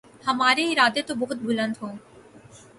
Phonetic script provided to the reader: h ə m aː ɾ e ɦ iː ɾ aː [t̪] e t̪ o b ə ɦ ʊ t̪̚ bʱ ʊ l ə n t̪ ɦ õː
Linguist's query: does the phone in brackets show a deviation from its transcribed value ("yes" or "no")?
yes